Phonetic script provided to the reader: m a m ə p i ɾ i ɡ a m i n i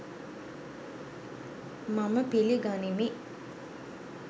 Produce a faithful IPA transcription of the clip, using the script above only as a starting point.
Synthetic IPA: m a m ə p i l i ɡ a n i m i